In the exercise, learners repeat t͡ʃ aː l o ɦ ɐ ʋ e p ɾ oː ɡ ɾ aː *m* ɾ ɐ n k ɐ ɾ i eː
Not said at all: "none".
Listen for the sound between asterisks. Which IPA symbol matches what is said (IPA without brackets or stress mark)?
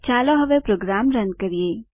m